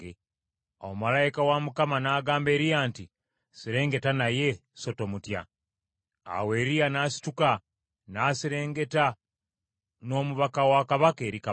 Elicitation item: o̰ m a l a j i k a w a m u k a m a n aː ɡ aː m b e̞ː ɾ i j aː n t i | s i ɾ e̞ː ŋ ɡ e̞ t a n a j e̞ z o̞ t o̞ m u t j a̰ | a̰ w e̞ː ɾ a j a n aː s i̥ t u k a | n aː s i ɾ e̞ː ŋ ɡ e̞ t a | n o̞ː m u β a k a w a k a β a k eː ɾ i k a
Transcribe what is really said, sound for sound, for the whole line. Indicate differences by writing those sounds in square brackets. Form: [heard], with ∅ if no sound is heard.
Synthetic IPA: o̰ m a l a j i k a w a m u k a m a n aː ɡ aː m b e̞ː ɾ i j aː n t i | s i ɾ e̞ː ŋ ɡ e̞ t a n a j e̞ [s] o̞ t o̞ m u t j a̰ | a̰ w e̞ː ɾ [i] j a n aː s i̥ t u k a | n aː s i ɾ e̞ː ŋ ɡ e̞ t a | n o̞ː m u β a k a w a k a β a k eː ɾ i k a